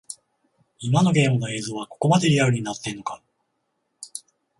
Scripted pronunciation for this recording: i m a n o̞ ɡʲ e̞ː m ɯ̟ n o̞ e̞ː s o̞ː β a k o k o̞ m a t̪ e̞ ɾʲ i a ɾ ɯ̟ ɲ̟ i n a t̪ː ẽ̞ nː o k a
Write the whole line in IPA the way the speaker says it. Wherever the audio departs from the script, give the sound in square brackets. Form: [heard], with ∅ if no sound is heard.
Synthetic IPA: i m a n o̞ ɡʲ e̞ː m ɯ̟ n o̞ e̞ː [z] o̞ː β a k o k o̞ m a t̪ e̞ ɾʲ i a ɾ ɯ̟ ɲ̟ i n a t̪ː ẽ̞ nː o k a